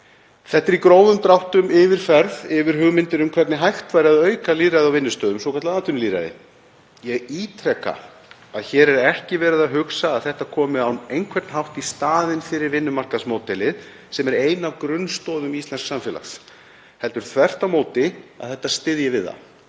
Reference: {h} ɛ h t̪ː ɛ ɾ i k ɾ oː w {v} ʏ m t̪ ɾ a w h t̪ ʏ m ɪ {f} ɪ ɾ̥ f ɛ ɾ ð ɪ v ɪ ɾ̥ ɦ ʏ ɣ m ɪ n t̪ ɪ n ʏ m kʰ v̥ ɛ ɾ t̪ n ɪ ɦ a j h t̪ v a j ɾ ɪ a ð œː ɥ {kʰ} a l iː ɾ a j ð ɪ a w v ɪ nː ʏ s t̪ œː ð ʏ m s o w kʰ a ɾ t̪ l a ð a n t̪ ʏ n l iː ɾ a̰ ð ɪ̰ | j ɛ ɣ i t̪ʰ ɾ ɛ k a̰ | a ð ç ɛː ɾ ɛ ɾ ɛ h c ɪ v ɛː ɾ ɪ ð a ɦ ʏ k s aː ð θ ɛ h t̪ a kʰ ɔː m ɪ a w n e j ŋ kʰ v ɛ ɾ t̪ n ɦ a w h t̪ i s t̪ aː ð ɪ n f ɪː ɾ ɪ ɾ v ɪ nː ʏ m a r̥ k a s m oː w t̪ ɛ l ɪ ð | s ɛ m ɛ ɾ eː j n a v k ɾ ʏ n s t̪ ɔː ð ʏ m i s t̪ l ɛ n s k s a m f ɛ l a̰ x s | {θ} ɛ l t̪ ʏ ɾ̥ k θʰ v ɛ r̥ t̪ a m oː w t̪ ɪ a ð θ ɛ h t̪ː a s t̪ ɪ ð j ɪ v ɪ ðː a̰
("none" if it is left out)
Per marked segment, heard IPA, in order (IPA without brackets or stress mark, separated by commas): θ, ð, v, k, h